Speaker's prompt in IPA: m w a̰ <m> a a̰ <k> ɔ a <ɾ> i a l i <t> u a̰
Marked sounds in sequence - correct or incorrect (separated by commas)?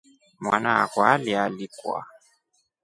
incorrect, correct, incorrect, incorrect